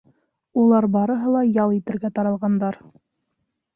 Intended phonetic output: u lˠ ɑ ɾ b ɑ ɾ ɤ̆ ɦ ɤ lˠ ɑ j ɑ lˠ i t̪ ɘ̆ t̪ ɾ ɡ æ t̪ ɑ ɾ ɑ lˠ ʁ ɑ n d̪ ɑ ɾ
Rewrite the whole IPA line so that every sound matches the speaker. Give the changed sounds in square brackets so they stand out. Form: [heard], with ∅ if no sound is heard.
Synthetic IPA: u lˠ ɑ ɾ b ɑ ɾ ɤ̆ ɦ ɤ lˠ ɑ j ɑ lˠ i t̪ ɘ̆ [∅] ɾ ɡ æ t̪ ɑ ɾ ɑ lˠ ʁ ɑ n d̪ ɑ ɾ